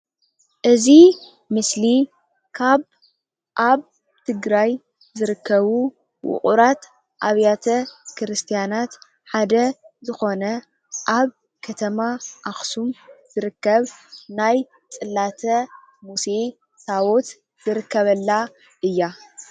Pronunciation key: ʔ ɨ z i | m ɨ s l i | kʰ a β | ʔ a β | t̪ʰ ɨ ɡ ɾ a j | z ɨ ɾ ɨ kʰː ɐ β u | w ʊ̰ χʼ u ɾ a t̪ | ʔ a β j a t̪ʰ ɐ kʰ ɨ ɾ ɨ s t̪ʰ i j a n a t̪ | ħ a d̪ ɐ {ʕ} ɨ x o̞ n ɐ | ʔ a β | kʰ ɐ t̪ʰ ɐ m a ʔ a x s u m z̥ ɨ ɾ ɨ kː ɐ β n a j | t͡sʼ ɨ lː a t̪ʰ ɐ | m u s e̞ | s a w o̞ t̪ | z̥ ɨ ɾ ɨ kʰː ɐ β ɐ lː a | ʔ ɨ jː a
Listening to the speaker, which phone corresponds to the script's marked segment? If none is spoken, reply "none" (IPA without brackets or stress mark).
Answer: z